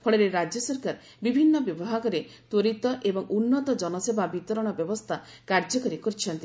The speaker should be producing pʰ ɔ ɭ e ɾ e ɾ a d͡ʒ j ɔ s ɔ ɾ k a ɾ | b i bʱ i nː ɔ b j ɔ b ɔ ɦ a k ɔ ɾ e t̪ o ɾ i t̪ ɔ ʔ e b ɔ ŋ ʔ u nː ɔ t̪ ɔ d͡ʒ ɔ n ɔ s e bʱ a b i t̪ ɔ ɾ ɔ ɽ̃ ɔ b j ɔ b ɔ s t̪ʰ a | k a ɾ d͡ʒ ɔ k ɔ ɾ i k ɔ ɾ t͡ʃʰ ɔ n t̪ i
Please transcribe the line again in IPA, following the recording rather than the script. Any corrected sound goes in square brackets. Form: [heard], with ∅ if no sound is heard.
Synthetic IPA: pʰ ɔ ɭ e ɾ e ɾ a d͡ʒ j ɔ s ɔ ɾ k a ɾ | b i bʱ i nː ɔ b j ɔ b ɔ ɦ a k ɔ ɾ e t̪ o ɾ i t̪ ɔ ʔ e b ɔ ŋ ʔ u nː ɔ t̪ ɔ d͡ʒ ɔ n ɔ s e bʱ a b i t̪ ɔ ɾ ɔ ɽ̃ ɔ b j ɔ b ɔ s t̪ʰ a | k a ɾ d͡ʒ ɔ k ɔ ɾ i k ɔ ɾ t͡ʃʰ ɔ n t̪ i